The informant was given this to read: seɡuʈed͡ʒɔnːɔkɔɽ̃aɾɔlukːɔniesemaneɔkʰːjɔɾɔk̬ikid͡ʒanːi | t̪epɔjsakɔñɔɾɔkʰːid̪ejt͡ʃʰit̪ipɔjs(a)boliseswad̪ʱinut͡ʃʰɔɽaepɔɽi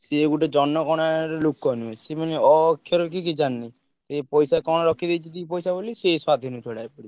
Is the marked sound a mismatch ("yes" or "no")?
no